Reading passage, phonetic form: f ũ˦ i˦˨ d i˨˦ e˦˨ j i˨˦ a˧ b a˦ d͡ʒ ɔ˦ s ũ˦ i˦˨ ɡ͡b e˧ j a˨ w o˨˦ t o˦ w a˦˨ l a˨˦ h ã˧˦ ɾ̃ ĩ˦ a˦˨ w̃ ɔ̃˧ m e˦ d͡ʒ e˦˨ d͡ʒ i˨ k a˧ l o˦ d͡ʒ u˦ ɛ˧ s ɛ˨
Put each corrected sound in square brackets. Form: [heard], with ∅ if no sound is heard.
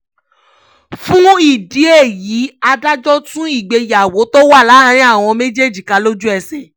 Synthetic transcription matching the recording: f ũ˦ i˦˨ d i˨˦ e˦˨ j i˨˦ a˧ [d] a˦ d͡ʒ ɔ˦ [t] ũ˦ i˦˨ ɡ͡b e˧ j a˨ w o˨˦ t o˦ w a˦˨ l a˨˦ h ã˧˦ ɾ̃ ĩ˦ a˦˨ w̃ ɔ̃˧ m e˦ d͡ʒ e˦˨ d͡ʒ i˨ k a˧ l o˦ d͡ʒ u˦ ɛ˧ s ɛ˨